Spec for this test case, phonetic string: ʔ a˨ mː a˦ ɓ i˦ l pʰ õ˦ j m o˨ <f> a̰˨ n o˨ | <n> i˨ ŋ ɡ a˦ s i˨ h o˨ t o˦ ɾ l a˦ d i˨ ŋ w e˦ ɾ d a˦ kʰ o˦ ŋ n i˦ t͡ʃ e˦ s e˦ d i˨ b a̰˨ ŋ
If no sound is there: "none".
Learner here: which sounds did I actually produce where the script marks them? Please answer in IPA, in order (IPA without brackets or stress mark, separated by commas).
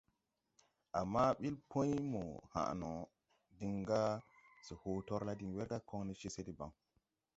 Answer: h, d